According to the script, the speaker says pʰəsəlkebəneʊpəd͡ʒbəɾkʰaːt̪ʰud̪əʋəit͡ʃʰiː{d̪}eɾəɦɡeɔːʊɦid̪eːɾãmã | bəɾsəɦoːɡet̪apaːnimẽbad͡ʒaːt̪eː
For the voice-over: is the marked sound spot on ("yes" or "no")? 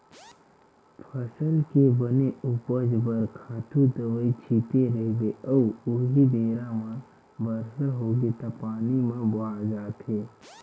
no